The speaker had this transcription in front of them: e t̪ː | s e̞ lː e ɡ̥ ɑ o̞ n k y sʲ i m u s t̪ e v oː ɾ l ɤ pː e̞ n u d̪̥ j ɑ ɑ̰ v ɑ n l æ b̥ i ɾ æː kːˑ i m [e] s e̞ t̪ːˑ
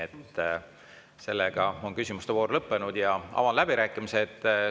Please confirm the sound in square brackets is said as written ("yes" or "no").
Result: no